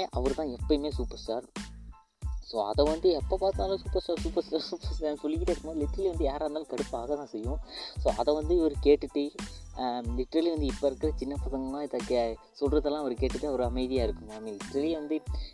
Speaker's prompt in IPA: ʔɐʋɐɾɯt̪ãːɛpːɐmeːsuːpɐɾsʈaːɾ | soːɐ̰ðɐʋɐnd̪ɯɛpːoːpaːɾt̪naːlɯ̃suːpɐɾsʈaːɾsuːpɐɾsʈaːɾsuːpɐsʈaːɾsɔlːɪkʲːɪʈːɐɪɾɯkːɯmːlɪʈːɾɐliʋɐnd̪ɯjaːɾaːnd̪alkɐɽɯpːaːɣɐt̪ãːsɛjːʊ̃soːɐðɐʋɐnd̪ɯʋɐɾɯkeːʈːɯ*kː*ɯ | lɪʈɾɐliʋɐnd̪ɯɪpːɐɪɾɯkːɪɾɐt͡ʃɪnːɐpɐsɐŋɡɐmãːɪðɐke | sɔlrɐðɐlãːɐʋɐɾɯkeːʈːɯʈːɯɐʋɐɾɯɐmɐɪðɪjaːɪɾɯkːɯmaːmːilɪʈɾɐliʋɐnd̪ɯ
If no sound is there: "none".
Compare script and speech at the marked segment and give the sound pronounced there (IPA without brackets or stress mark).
ʈː